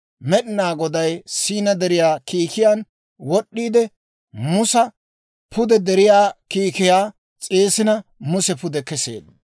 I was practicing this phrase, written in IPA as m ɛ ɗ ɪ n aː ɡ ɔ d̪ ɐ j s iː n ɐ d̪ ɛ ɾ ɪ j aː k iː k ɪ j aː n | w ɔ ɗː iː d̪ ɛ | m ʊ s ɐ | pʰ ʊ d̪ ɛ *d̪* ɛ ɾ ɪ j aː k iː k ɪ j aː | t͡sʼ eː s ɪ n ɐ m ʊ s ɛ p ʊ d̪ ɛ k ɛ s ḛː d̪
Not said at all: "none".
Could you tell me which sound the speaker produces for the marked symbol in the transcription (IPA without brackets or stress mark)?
d̪